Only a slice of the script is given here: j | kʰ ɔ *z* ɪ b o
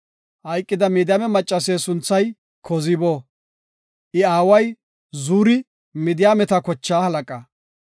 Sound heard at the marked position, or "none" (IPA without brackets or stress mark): z